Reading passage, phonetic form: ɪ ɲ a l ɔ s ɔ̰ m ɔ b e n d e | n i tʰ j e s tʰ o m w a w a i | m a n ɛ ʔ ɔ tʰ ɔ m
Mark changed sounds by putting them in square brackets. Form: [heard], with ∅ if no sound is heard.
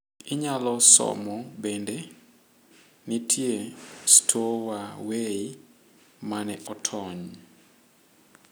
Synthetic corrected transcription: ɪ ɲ a l ɔ s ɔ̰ m ɔ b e n d e | n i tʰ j e s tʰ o [∅] w a w [e] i | m a n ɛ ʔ ɔ tʰ ɔ [ɲ]